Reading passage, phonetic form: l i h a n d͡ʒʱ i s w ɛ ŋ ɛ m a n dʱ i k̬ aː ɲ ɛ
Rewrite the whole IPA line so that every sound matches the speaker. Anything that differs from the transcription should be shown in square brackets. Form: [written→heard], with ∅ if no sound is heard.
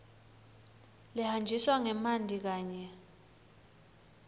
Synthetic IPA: l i h a n d͡ʒʱ i s w [ɛ→a] ŋ ɛ m a n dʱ i k̬ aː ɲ ɛ